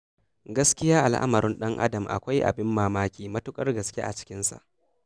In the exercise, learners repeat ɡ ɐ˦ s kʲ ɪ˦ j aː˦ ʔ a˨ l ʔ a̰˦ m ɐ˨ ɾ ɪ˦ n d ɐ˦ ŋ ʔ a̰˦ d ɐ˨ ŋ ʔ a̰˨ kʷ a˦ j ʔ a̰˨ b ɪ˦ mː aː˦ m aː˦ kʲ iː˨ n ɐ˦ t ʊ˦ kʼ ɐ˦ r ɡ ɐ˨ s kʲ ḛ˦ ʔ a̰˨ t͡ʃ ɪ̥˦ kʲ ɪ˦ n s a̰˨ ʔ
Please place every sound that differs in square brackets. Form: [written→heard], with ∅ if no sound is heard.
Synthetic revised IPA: ɡ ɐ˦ s kʲ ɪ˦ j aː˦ ʔ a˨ l ʔ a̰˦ m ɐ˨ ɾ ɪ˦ n [d→ɗ] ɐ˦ ŋ ʔ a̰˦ d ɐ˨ [ŋ→m] ʔ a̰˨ kʷ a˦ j ʔ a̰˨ b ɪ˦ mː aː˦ m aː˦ kʲ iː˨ [n→m] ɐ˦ t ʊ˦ kʼ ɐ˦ r ɡ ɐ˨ s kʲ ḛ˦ ʔ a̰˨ t͡ʃ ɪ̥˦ kʲ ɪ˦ n s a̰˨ ʔ